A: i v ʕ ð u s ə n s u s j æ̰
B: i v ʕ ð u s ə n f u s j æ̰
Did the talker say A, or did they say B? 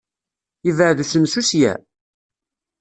A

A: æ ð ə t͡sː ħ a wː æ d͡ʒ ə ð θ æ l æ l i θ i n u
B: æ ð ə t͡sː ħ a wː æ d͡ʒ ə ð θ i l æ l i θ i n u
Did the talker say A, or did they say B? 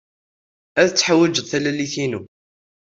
A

